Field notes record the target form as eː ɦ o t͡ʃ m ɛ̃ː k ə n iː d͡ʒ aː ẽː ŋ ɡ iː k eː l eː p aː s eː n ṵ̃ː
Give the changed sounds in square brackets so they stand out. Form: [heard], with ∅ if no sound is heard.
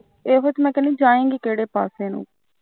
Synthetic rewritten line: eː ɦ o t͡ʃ m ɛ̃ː k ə n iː d͡ʒ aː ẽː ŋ ɡ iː k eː [ɽ] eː p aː s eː n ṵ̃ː